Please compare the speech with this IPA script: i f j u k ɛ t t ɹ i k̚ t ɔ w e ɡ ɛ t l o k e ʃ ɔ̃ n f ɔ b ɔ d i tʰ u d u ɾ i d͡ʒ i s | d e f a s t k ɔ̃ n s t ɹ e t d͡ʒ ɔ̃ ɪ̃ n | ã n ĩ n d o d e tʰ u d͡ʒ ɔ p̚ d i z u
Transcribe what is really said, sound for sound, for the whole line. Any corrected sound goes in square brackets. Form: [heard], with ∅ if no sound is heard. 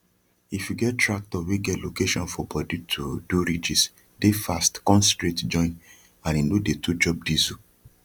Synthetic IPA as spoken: i f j u [ɡ] ɛ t t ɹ [a] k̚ t ɔ w e ɡ ɛ t l o k e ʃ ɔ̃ n f ɔ b ɔ d i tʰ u d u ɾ i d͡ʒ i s | d e f a s t k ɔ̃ n s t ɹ e t d͡ʒ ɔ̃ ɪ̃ n | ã n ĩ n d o d e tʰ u d͡ʒ ɔ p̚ d i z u